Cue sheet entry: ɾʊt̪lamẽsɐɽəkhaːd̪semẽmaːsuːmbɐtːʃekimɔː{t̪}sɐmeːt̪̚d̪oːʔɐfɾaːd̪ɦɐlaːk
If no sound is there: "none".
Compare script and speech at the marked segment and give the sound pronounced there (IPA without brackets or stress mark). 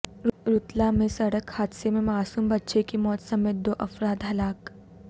t̪